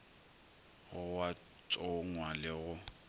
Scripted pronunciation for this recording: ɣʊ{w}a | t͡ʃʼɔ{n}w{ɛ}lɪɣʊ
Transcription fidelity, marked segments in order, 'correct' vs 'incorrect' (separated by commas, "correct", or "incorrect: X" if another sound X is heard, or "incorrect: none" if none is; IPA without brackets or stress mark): correct, incorrect: ŋ, incorrect: a